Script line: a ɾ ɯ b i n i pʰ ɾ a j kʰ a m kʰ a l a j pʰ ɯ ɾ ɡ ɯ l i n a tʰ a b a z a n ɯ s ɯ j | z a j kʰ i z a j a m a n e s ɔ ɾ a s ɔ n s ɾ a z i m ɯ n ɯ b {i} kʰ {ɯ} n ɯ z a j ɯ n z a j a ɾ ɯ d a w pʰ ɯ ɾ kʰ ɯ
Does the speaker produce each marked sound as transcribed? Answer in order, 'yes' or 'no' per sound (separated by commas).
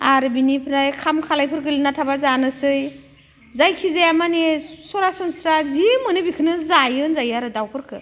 yes, yes